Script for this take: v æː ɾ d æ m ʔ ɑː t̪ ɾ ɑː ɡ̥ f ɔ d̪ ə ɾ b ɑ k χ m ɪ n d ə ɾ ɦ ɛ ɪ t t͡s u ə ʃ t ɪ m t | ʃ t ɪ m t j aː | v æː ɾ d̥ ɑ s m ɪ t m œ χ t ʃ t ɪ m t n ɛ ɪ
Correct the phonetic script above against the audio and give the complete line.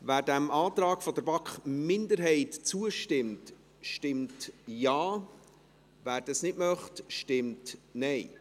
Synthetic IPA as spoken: v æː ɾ d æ m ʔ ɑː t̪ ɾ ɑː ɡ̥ f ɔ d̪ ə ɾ b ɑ k χ m ɪ n d ə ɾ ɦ ɛ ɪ t t͡s u ə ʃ t ɪ m t | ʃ t ɪ m t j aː | v æː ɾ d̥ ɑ s n ɪ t m œ χ t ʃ t ɪ m t n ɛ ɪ